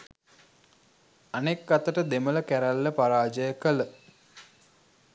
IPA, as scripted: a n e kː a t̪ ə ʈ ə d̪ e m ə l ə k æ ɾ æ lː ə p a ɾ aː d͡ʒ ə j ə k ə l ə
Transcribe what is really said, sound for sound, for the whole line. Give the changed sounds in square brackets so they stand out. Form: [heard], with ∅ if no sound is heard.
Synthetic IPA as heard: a n e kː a t̪ ə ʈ ə d̪ e m ə l ə k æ ɾ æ lː ə p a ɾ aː d͡ʒ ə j ə k ə l ə